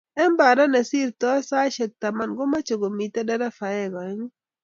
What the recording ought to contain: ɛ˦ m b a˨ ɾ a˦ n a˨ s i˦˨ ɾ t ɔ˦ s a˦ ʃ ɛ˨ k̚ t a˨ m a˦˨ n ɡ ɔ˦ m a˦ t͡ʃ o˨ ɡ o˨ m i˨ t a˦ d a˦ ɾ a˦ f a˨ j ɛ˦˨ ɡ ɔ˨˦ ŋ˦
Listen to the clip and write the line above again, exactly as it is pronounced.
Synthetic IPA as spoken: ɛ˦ m b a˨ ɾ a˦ n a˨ s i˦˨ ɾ t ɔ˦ s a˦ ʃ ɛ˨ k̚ t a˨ m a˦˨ n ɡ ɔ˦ m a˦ t͡ʃ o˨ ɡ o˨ m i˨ t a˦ d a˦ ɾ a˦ f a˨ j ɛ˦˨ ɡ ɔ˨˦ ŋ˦